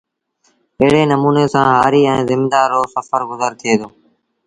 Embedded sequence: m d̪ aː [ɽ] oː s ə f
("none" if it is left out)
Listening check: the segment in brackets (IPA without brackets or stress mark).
ɾ